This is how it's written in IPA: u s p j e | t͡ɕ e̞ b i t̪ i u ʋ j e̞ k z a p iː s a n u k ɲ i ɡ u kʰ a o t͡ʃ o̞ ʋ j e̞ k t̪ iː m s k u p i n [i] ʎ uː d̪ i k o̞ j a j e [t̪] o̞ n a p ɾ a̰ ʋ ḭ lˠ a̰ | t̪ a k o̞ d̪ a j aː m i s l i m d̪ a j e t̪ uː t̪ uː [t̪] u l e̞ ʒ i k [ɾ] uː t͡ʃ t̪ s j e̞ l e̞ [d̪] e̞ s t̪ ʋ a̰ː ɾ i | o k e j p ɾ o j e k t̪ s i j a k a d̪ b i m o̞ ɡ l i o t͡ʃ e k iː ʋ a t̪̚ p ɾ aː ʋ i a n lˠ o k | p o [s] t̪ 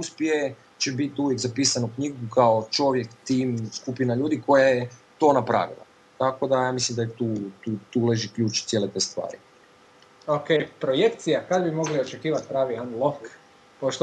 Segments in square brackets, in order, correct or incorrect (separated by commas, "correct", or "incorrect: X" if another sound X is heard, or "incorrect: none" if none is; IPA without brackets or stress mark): incorrect: a, correct, correct, incorrect: ʎ, incorrect: t̪, incorrect: ʃ